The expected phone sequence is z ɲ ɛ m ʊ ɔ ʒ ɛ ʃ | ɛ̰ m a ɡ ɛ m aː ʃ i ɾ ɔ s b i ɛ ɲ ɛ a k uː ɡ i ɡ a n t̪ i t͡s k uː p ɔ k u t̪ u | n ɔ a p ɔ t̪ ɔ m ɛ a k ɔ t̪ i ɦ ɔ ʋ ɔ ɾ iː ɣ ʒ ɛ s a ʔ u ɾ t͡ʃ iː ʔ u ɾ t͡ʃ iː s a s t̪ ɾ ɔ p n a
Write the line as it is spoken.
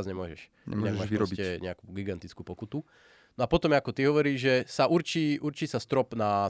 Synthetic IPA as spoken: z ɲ ɛ m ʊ ɔ ʒ ɛ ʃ | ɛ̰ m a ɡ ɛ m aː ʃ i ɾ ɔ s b i ɛ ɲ ɛ a k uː ɡ i ɡ a n t̪ i t͡s k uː p ɔ k u t̪ u | n ɔ a p ɔ t̪ ɔ m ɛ a k ɔ t̪ i ɦ ɔ ʋ ɔ ɾ iː ʒ ʒ ɛ s a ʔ u ɾ t͡ʃ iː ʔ u ɾ t͡ʃ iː s a s t̪ ɾ ɔ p n a